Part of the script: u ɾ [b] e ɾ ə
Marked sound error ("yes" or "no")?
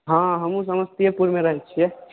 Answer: yes